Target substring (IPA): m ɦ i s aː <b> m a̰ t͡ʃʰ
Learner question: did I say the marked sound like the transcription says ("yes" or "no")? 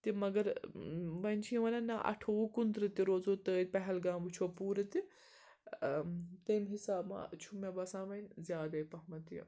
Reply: yes